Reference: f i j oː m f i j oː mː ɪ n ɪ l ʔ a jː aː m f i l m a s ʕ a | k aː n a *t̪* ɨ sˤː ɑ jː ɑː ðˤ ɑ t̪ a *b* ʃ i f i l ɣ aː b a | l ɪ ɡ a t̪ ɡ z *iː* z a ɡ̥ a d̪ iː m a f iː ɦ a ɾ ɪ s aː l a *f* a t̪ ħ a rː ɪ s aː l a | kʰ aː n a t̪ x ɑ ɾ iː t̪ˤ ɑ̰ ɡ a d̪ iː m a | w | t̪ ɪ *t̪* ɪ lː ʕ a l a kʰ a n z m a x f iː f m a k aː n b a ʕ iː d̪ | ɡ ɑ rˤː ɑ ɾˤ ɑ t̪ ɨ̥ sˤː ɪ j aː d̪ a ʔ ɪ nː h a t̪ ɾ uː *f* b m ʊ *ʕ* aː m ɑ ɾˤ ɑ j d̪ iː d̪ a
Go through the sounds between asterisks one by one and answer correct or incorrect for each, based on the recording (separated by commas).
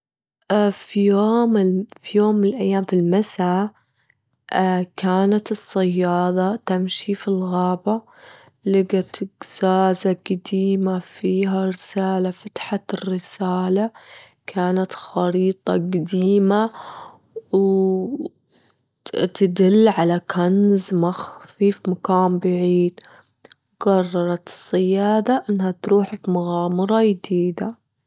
correct, incorrect, incorrect, correct, incorrect, incorrect, incorrect